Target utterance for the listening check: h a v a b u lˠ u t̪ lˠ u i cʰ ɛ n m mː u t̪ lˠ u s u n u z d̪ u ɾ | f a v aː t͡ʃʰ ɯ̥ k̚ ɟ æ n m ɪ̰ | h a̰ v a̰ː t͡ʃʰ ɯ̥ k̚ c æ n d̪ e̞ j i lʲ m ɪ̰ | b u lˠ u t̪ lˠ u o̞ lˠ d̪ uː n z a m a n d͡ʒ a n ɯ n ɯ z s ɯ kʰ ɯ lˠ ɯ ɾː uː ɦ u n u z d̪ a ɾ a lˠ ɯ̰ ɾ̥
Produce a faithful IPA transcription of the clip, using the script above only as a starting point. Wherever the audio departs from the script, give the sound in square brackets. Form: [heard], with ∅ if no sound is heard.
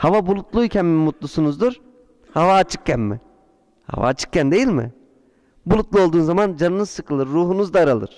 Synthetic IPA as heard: h a v a b u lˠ u t̪ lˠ u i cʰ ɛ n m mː u t̪ lˠ u s u n u z d̪ u ɾ | [h] a v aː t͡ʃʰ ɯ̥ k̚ [c] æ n m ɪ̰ | h a̰ v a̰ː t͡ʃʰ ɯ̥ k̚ c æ n d̪ e̞ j i lʲ m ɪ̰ | b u lˠ u t̪ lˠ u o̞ lˠ d̪ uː n z a m a n d͡ʒ a n ɯ n ɯ z s ɯ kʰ ɯ lˠ ɯ ɾː uː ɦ u n u z d̪ a ɾ a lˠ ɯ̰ ɾ̥